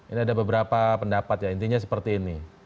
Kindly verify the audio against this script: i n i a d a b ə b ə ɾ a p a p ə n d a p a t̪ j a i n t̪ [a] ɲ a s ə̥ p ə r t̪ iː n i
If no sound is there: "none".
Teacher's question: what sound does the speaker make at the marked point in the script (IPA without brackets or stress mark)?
i